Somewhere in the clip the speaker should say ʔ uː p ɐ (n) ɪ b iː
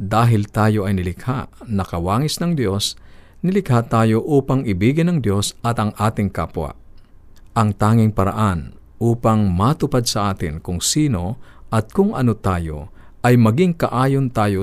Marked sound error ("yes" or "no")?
yes